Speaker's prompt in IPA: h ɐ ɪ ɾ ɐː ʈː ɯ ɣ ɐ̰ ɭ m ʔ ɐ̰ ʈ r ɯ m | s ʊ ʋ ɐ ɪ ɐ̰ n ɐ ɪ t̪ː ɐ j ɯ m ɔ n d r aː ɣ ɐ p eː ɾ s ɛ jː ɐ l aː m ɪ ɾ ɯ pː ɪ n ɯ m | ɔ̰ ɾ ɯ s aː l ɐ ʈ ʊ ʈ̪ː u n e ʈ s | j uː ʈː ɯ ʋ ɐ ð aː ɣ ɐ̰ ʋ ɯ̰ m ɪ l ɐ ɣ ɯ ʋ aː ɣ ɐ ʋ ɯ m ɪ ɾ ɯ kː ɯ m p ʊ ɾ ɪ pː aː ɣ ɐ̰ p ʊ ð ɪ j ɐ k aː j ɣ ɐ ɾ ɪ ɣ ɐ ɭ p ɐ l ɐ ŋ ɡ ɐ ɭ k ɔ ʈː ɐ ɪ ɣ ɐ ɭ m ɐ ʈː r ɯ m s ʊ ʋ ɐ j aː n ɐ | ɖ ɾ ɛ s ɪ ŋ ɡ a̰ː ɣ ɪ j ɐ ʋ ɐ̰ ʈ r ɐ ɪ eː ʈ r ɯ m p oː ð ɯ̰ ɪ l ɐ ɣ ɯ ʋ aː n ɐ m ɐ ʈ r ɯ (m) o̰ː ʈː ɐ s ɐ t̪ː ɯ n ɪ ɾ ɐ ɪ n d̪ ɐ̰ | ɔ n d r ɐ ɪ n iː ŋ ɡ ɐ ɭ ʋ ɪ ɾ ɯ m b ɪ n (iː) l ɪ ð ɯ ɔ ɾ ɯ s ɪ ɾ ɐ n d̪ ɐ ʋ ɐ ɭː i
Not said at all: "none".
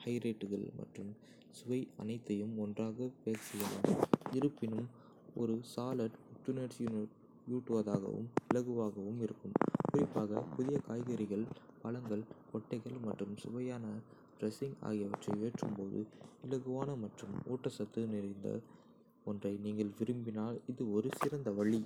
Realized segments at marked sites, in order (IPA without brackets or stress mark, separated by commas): m, aː